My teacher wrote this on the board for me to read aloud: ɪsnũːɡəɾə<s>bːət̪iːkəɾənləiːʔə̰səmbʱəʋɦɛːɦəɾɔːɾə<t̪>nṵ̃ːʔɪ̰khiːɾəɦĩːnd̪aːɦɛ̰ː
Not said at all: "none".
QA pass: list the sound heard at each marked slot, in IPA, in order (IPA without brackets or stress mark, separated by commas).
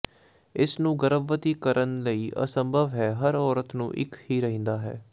none, t̪